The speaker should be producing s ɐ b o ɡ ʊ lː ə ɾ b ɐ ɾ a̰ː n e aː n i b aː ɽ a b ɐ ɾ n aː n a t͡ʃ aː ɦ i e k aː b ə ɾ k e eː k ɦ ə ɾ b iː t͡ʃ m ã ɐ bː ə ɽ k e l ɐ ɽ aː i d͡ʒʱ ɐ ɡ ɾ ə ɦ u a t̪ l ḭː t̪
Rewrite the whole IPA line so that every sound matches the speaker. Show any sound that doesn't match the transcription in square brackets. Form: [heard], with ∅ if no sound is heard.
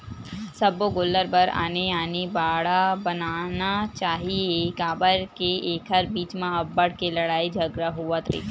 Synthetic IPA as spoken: s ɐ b o ɡ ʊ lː ə ɾ b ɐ ɾ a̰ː n e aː n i b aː ɽ a b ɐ [∅] n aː n a t͡ʃ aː ɦ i e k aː b ə ɾ k e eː k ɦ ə ɾ b iː t͡ʃ m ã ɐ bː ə ɽ k e l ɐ ɽ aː i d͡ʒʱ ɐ ɡ ɾ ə ɦ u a t̪ [ɾ] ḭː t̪